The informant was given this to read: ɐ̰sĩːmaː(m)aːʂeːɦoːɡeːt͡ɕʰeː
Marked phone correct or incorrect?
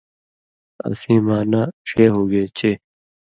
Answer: incorrect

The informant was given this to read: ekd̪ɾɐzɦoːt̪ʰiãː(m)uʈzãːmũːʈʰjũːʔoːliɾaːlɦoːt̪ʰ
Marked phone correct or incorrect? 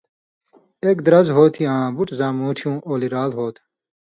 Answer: incorrect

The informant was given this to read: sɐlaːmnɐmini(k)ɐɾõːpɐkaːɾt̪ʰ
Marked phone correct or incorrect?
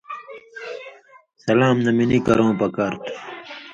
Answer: correct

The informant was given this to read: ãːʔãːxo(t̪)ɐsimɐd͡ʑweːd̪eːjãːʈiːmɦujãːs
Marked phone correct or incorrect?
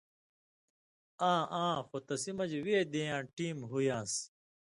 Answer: correct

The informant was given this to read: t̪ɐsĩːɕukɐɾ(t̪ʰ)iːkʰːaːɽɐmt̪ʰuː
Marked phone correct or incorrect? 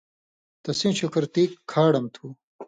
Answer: incorrect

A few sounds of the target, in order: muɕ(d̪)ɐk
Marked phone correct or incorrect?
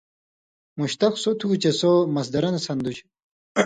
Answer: incorrect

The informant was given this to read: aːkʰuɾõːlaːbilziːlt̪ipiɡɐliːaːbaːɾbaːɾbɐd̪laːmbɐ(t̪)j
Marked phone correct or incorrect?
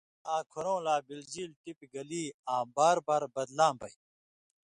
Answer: incorrect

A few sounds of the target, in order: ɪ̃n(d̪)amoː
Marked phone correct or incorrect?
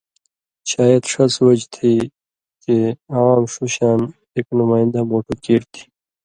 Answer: correct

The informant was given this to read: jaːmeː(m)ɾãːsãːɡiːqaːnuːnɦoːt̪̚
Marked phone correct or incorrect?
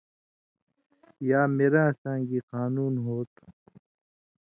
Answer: incorrect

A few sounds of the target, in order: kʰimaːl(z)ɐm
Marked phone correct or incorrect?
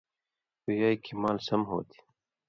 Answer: incorrect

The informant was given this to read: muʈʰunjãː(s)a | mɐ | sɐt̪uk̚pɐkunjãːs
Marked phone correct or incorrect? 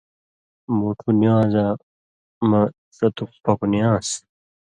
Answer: incorrect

